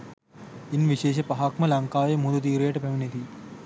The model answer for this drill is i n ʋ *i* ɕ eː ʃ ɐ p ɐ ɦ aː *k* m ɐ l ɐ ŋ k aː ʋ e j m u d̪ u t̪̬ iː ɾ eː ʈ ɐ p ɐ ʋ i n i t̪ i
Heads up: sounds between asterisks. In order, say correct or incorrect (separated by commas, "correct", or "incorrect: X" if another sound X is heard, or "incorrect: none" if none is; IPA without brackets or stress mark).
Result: correct, correct